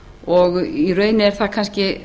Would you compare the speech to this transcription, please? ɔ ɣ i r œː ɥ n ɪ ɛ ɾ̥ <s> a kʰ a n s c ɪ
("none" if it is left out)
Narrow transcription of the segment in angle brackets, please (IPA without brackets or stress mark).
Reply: θ